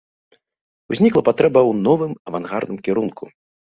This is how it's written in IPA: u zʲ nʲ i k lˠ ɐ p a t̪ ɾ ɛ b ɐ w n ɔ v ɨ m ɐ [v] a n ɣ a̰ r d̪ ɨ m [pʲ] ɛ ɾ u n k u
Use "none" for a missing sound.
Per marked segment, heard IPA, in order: v, kʲ

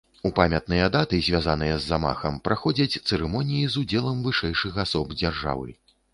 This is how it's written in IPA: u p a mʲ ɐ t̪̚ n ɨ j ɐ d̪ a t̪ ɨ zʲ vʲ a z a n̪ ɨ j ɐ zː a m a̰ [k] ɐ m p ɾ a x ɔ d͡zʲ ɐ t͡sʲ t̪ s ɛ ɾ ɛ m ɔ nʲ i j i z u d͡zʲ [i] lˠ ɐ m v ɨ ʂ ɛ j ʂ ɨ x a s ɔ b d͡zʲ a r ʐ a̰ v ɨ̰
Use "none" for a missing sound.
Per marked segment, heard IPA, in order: x, ɛ

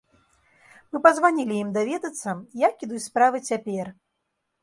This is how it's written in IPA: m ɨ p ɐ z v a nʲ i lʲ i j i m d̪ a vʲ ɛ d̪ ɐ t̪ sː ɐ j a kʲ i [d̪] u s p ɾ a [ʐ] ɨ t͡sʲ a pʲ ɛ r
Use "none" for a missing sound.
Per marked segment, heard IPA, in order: d̪, v

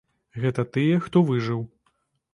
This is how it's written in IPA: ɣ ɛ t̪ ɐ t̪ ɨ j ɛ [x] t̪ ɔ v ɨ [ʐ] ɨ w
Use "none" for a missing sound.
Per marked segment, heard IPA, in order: x, ʐ

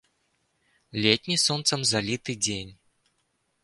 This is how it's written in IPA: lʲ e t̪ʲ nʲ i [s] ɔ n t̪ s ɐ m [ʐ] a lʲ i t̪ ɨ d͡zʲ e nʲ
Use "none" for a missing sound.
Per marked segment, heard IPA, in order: s, z

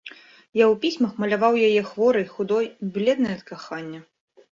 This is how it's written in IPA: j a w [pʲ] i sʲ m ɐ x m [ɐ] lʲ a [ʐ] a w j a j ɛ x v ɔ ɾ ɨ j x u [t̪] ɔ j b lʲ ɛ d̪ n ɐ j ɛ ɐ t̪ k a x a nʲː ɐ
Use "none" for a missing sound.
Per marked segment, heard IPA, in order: pʲ, ɐ, v, d̪

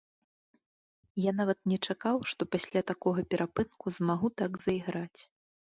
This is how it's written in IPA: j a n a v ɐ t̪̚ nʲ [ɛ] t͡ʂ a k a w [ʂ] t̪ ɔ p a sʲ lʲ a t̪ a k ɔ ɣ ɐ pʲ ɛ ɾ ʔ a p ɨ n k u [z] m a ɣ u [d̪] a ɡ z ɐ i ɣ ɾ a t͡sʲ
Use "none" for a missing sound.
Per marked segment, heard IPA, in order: ɛ, ʂ, z, t̪

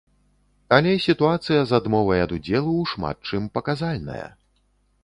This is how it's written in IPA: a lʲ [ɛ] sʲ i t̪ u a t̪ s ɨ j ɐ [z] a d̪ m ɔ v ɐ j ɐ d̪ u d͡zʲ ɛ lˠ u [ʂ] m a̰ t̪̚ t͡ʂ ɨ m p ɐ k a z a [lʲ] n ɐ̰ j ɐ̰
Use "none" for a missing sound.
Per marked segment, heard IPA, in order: ɛ, z, ʂ, lʲ

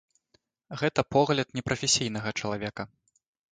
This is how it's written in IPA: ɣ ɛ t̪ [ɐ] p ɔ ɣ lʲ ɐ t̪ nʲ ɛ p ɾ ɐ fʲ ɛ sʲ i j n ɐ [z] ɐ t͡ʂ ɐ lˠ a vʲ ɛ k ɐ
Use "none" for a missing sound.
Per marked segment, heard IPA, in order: ɐ, ɣ

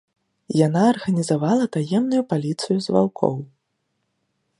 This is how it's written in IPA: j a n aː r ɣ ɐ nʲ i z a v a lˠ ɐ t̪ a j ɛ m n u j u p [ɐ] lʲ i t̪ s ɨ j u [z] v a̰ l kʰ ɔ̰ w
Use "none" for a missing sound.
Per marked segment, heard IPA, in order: a, z

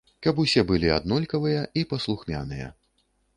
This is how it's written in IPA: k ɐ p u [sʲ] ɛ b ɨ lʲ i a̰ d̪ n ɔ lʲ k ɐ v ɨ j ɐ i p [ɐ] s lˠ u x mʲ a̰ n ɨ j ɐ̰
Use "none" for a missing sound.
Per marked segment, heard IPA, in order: sʲ, ɐ

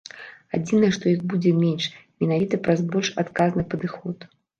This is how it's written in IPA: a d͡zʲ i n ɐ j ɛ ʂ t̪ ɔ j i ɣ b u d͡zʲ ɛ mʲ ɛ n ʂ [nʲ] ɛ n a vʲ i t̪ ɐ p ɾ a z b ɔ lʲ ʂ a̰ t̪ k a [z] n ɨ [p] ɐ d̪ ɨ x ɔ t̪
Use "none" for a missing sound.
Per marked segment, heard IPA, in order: mʲ, z, p

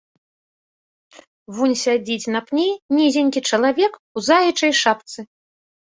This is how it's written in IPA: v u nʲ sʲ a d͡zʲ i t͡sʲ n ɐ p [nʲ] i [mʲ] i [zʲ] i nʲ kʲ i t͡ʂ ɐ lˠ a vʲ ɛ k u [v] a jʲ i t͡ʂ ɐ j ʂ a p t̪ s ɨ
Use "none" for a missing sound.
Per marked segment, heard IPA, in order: nʲ, nʲ, zʲ, z

